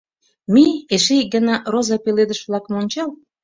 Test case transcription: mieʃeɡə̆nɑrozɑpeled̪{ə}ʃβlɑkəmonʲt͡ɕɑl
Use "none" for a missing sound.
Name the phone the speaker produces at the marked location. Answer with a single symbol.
ə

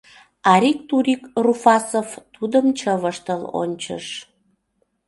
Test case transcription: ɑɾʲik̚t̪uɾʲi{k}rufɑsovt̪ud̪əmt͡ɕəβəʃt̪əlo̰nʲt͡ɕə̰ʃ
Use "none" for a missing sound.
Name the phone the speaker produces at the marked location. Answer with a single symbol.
k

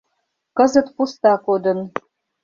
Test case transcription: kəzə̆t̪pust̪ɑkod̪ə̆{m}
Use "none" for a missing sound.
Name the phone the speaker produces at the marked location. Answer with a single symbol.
n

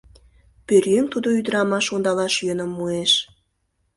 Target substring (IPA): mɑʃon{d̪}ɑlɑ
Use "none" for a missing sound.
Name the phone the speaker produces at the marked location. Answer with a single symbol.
d̪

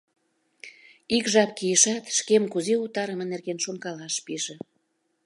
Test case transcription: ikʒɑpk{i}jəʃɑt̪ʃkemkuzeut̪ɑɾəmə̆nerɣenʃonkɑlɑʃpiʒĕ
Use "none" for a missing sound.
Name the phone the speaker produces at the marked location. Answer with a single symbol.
i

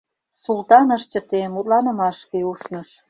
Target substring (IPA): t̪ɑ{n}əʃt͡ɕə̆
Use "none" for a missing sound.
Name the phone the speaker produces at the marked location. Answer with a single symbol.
n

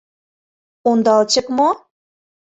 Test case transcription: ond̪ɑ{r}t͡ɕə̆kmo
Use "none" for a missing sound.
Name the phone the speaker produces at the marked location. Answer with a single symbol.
l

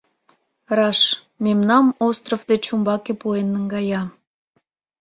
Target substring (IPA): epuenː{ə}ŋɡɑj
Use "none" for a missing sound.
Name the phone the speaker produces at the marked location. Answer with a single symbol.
ə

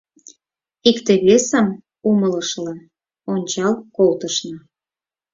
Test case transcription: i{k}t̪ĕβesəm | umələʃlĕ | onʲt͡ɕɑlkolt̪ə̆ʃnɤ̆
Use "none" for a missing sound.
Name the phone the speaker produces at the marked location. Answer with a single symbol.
k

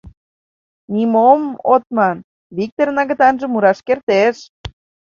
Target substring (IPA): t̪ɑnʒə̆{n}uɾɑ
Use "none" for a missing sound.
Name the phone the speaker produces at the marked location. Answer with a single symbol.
m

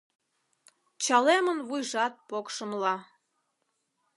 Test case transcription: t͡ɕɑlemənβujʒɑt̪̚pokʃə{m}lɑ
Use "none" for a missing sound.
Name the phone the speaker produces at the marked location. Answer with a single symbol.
m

